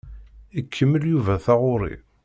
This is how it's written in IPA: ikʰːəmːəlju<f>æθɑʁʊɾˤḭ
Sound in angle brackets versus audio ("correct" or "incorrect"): incorrect